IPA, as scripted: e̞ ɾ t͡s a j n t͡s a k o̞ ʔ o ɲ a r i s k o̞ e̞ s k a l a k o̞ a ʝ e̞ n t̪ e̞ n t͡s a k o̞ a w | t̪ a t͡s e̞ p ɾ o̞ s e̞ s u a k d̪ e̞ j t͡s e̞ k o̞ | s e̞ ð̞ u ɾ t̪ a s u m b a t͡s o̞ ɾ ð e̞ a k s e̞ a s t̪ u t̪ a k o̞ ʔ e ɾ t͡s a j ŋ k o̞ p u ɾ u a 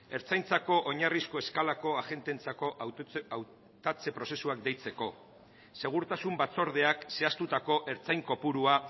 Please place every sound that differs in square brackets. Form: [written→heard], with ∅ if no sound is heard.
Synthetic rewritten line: e̞ ɾ t͡s a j n t͡s a k o̞ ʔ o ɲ a r i s k o̞ e̞ s k a l a k o̞ a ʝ e̞ n t̪ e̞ n t͡s a k o̞ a w | t̪ a t͡s e̞ p ɾ o̞ s e̞ s u a k d̪ e̞ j t͡s e̞ k o̞ | s e̞ [ð̞→ɣ̞] u ɾ t̪ a s u m b a t͡s o̞ ɾ ð e̞ a k s e̞ a s t̪ u t̪ a k o̞ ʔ e ɾ t͡s a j ŋ k o̞ p u ɾ u a